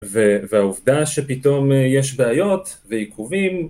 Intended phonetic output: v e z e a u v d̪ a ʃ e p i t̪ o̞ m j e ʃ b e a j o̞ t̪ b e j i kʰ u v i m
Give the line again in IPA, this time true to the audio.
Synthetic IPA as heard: v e v e a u v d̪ a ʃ e p i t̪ o̞ m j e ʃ b e a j o̞ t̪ v e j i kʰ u v i m